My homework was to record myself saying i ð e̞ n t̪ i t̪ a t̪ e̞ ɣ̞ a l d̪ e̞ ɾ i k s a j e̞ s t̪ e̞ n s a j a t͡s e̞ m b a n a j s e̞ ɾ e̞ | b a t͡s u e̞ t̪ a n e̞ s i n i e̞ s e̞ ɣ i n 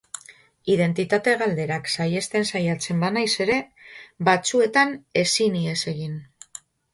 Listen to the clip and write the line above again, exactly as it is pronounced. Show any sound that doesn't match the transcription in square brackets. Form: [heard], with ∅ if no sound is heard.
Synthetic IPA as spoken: i ð e̞ n t̪ i t̪ a t̪ e̞ ɣ̞ a l d̪ e̞ ɾ [a] k s a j e̞ s t̪ e̞ n s a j a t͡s e̞ m b a n a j s e̞ ɾ e̞ | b a t͡s u e̞ t̪ a n e̞ s i n i e̞ s e̞ ɣ i n